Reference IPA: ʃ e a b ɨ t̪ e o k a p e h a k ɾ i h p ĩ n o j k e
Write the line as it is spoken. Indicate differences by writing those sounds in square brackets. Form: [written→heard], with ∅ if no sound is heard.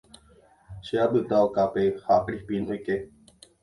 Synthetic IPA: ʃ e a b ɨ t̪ [e→a] o k a p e h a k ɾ i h p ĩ n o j k e